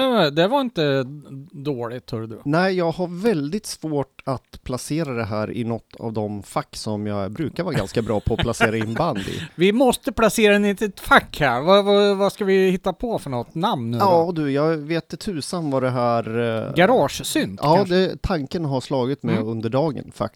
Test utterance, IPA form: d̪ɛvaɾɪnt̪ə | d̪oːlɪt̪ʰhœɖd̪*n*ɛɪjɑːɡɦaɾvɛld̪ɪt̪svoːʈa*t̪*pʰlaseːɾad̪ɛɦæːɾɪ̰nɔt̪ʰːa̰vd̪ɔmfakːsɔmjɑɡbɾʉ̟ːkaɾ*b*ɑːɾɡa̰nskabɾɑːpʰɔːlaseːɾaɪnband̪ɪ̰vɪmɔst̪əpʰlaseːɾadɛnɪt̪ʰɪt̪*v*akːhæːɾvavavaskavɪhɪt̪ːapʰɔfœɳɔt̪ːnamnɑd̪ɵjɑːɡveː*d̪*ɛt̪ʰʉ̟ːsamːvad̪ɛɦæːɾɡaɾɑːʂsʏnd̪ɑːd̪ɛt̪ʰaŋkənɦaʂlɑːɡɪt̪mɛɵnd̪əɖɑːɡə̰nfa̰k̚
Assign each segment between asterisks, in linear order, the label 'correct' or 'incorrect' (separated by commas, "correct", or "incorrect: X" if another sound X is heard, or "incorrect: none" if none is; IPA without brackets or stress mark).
correct, correct, incorrect: v, incorrect: f, incorrect: t̪